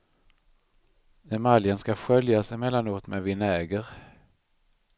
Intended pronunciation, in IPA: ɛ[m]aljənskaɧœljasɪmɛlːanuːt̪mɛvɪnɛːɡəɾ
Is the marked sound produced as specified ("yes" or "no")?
yes